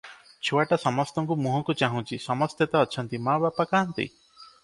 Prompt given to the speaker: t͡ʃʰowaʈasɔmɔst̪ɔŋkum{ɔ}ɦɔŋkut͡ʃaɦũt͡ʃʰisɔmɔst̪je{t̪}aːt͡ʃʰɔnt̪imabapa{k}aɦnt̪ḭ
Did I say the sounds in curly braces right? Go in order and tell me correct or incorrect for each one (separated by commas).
incorrect, correct, correct